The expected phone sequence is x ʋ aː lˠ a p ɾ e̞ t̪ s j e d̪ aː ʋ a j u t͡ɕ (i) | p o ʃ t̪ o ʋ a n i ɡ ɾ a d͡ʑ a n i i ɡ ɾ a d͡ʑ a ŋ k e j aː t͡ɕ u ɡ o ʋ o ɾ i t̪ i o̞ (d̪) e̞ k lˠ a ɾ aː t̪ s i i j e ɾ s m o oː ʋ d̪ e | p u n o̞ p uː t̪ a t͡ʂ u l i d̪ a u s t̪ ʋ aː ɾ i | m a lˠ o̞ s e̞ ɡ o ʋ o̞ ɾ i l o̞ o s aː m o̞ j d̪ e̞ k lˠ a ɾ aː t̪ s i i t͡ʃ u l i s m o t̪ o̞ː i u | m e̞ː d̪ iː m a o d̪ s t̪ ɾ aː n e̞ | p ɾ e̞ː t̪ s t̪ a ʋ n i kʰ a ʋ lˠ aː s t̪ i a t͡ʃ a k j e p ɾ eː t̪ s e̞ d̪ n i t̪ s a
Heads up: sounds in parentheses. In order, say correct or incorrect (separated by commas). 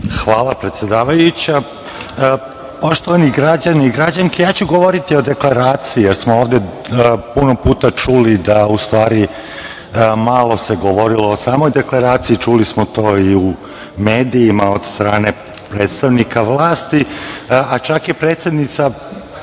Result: incorrect, correct